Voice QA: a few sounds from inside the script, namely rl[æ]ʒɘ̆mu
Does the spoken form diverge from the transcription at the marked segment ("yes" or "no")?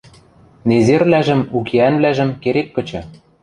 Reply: no